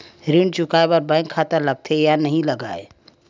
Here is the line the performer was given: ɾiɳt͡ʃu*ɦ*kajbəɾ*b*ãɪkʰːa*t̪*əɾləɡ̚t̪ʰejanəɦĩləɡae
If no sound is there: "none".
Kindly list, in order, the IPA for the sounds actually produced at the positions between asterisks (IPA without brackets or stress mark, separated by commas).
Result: none, b, t̪